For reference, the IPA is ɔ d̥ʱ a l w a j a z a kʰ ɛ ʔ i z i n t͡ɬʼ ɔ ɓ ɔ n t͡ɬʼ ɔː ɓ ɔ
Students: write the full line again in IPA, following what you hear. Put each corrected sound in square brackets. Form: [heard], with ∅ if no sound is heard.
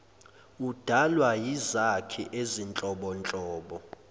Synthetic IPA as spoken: [u] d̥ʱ a l w a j [i] z a kʰ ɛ ʔ [e] z i n t͡ɬʼ ɔ ɓ ɔ n t͡ɬʼ ɔː ɓ ɔ